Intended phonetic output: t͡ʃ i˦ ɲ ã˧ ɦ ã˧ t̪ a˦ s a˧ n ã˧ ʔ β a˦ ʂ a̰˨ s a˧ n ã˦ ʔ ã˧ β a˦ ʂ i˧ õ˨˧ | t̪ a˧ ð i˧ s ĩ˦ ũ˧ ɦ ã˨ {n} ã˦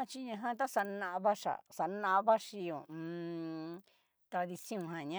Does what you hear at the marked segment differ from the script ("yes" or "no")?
yes